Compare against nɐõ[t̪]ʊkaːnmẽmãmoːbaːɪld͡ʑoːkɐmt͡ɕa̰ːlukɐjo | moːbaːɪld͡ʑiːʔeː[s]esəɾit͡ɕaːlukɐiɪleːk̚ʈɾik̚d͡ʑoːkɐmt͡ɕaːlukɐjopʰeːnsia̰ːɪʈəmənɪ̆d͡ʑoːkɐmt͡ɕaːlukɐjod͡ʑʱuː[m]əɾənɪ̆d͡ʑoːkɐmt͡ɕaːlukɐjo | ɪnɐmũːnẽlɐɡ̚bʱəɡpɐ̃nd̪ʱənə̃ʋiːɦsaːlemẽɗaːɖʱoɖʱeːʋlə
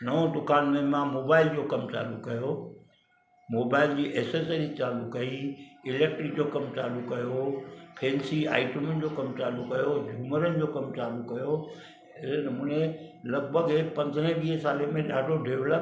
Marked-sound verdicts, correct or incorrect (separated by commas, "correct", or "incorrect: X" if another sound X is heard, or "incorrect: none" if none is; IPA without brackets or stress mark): incorrect: d̪, correct, correct